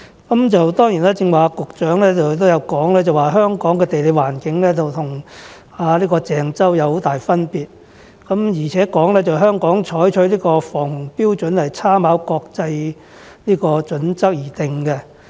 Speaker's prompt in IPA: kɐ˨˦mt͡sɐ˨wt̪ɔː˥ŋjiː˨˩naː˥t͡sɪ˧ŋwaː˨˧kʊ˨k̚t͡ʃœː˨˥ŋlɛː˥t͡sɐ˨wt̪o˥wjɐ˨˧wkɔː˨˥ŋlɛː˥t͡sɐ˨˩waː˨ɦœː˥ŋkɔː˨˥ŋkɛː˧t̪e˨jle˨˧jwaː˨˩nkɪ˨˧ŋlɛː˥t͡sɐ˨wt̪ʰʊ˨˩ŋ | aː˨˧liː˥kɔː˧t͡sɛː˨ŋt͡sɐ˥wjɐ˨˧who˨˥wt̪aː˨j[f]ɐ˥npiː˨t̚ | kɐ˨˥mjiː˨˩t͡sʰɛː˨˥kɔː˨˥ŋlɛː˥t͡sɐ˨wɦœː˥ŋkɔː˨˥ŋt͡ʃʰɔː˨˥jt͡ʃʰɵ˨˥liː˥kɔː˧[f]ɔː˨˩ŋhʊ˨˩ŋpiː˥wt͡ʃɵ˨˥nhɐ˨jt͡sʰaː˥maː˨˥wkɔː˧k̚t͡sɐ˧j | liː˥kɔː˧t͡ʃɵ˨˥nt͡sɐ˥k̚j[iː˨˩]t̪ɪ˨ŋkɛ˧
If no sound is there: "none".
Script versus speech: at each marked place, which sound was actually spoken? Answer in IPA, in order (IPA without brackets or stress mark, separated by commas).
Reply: f, f, iː˨˩